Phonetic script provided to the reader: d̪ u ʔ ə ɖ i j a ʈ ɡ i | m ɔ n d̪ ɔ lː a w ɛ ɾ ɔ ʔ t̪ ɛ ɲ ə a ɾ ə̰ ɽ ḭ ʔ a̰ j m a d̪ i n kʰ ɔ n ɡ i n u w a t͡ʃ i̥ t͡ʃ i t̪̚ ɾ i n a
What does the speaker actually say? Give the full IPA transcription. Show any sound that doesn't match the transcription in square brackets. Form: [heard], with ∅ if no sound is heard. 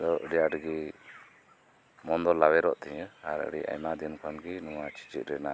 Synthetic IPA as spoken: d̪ [ɔ] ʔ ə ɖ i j a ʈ ɡ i | m ɔ n d̪ ɔ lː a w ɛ ɾ ɔ ʔ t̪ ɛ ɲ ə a ɾ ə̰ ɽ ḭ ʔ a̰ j m a d̪ i n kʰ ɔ n ɡ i n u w a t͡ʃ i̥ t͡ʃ i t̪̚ ɾ [ɛ] n a

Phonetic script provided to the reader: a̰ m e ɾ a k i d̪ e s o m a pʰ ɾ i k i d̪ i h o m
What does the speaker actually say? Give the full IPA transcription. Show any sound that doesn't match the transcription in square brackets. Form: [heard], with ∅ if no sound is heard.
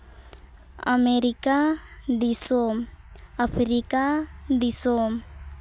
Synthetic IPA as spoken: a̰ m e ɾ [i] k [a] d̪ [i] s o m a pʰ ɾ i k [a] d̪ i [s] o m

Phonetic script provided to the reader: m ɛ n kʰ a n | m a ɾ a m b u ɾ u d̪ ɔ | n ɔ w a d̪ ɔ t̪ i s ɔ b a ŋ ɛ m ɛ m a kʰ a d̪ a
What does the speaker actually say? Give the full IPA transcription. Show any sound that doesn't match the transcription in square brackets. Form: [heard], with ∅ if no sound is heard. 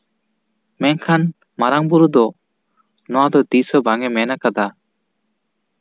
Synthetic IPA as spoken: m ɛ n kʰ a n | m a ɾ a [ŋ] b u ɾ u d̪ ɔ | n ɔ w a d̪ ɔ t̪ i s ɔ b a ŋ ɛ m ɛ [n] a [k] a d̪ a

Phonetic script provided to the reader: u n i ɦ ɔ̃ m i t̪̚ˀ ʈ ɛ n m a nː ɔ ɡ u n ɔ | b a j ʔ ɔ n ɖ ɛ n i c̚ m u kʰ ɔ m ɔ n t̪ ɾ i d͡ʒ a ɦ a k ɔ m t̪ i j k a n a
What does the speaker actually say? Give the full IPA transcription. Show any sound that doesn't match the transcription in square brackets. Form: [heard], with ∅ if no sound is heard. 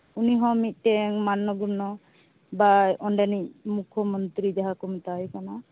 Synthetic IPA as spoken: u n i ɦ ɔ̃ m i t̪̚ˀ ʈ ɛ [ŋ] m a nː ɔ ɡ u n ɔ | b a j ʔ ɔ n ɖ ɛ n i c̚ m u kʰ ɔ m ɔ n t̪ ɾ i d͡ʒ a ɦ a k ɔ m t̪ [a] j k a n a

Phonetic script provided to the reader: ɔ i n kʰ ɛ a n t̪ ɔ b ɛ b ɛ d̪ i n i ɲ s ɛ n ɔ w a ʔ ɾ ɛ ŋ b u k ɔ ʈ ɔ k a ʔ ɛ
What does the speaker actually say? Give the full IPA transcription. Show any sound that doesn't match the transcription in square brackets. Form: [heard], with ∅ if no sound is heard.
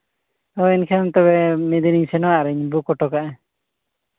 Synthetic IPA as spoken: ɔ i n kʰ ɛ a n t̪ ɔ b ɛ [m] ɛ d̪ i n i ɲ s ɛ n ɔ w a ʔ ɾ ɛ [ɲ] b u k ɔ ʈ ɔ k a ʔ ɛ

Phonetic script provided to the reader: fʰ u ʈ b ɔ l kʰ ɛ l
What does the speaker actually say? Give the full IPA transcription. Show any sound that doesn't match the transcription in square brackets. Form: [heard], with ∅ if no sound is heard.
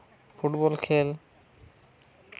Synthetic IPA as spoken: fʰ u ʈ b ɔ l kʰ [e] l

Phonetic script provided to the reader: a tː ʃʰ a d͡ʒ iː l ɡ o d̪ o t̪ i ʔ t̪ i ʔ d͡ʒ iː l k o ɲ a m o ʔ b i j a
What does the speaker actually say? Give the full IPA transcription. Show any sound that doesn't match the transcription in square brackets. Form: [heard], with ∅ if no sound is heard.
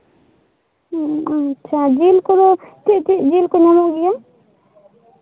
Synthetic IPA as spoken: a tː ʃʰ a d͡ʒ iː l [k] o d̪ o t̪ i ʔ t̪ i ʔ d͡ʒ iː l k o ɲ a m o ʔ [ɡ] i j a

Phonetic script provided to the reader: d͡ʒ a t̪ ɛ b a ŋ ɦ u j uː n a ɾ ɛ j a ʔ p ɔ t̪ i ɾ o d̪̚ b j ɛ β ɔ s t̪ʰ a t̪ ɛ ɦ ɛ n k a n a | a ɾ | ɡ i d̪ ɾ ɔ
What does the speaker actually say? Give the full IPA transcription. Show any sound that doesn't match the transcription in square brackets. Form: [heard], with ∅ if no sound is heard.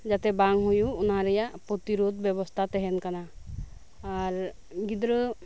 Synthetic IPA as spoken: d͡ʒ a t̪ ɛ b a ŋ ɦ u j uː n a ɾ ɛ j a ʔ p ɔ t̪ i ɾ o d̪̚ b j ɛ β ɔ s t̪ʰ a t̪ ɛ ɦ ɛ n k a n a | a ɾ | ɡ i d̪ ɾ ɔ

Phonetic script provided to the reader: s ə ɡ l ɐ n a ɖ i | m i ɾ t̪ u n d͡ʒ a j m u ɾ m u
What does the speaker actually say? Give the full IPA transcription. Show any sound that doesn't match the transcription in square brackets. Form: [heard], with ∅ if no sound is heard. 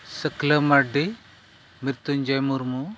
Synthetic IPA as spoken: s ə [k] l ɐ [m] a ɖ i | m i ɾ t̪ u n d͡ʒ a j m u ɾ m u

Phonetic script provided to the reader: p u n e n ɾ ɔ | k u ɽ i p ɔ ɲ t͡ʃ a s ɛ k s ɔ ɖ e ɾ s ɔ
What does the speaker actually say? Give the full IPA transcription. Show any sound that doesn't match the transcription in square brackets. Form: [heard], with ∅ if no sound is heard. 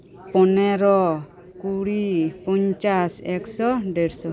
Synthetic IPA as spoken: p [ɔ] n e [∅] ɾ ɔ | k u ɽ i p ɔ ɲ t͡ʃ a s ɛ k s ɔ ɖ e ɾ s ɔ

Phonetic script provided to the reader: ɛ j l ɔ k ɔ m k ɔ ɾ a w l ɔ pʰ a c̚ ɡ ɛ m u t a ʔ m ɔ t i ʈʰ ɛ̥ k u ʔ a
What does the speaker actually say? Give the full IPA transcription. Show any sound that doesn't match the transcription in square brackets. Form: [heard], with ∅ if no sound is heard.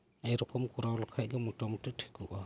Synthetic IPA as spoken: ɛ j [ɾ] ɔ k ɔ m k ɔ ɾ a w l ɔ [kʰ] a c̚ ɡ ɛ m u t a [∅] m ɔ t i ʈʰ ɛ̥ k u ʔ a

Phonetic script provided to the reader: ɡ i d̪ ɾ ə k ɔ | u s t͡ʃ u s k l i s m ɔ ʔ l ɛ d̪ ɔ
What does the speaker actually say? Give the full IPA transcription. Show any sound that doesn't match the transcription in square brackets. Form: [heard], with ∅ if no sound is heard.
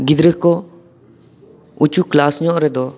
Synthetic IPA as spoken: ɡ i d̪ ɾ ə k ɔ | u [∅] t͡ʃ u [∅] k l [a] s [ɲ] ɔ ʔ [ɾ] ɛ d̪ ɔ

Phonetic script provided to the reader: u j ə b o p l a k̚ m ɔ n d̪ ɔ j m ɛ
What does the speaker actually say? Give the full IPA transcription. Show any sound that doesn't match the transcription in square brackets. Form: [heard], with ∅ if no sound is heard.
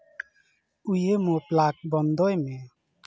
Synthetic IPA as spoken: u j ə [m] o p l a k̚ [b] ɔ n d̪ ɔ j m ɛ

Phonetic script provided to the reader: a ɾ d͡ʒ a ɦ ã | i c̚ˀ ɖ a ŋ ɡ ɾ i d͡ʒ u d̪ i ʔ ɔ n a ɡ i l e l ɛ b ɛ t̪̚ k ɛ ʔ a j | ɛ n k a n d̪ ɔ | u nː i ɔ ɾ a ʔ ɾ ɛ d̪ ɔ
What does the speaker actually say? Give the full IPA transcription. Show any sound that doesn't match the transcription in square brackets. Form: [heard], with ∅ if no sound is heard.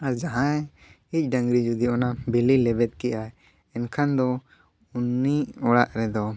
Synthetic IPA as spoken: a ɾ d͡ʒ a ɦ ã | i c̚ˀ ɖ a ŋ ɡ ɾ i d͡ʒ u d̪ i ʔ ɔ n a [b] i l [i] l ɛ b ɛ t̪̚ k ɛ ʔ a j | ɛ n [kʰ] a n d̪ ɔ | u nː i ɔ [ɽ] a ʔ ɾ ɛ d̪ ɔ

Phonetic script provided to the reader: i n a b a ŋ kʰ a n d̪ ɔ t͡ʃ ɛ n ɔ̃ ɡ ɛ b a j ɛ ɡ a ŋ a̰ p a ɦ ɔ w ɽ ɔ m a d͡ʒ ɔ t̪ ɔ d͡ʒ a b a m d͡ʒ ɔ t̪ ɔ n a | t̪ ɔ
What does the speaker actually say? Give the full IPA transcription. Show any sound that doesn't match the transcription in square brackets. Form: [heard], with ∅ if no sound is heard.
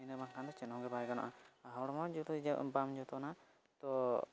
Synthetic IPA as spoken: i n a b a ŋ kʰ a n d̪ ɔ t͡ʃ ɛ n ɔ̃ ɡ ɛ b a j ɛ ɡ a [n] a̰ [ʔ] a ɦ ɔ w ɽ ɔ m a d͡ʒ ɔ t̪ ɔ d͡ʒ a b a m d͡ʒ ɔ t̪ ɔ n a | t̪ ɔ

